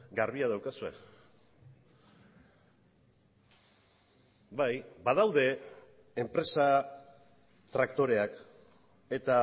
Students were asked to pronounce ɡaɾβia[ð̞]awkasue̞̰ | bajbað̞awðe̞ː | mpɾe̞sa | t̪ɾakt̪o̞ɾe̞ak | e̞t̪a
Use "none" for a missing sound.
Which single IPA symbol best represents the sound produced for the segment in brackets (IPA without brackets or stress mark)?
ð̞